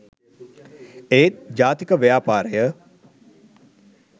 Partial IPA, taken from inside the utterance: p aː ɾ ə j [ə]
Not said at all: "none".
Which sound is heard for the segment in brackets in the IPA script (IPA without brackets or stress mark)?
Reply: ə